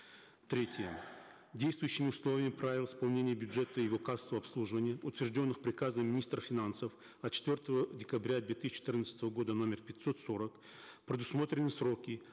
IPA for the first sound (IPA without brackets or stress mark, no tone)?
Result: t̪